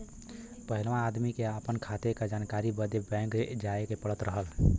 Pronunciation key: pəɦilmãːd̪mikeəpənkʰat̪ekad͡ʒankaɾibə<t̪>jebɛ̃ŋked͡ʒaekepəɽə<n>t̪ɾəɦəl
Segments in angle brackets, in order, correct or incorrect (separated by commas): incorrect, incorrect